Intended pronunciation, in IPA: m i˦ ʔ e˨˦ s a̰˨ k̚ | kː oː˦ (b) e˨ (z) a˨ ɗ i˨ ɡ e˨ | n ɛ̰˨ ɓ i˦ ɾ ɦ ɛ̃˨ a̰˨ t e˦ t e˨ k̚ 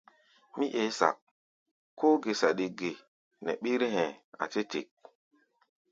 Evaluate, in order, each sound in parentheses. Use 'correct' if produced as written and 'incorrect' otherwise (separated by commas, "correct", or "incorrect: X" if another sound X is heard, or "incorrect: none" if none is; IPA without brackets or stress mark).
incorrect: ɡ, incorrect: s